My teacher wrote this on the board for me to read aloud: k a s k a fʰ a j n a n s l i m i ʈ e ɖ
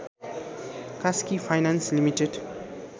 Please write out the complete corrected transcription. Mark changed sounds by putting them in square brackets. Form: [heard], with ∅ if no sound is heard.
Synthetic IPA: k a s k [i] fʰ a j n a n s l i m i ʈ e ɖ